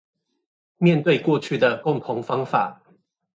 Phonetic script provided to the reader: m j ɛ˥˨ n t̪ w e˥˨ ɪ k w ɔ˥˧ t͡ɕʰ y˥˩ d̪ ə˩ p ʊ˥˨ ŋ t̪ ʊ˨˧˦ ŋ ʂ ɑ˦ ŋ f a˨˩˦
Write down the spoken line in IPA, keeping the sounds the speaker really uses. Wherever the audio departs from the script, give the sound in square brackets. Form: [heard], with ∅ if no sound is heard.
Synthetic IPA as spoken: m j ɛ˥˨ n t̪ w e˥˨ ɪ k w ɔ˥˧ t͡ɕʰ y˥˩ d̪ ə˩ [k] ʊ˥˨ ŋ [t̪ʰ] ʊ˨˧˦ ŋ [f] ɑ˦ ŋ f a˨˩˦